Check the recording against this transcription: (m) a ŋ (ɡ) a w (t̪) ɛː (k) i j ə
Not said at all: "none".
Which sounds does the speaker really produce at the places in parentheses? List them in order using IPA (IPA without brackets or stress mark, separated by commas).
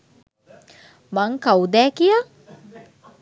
m, k, d̪, k